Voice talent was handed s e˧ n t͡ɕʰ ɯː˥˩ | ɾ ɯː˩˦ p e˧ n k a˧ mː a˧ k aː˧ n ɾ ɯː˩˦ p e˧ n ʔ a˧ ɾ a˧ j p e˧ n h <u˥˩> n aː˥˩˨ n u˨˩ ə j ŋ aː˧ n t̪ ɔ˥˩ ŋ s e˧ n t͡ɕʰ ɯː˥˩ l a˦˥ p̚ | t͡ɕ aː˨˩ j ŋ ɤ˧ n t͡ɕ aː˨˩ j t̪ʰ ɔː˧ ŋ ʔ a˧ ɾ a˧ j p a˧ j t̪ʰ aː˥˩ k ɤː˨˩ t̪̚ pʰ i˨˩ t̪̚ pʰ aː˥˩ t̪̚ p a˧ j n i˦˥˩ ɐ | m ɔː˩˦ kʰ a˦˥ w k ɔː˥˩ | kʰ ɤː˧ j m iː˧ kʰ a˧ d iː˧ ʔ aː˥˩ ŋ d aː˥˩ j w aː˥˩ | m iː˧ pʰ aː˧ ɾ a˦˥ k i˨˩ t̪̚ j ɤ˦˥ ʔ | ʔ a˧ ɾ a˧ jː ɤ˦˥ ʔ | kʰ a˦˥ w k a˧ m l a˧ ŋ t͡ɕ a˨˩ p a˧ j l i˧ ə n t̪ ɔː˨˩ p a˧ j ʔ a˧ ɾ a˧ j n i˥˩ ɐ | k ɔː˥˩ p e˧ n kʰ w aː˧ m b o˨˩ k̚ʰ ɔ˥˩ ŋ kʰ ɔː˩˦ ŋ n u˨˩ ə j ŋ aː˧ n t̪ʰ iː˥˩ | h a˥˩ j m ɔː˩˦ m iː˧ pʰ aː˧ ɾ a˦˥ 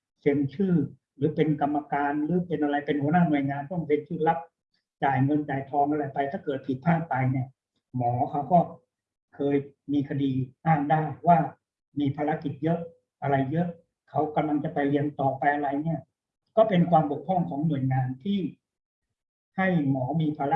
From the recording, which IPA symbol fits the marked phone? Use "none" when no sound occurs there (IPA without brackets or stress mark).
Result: u˩˦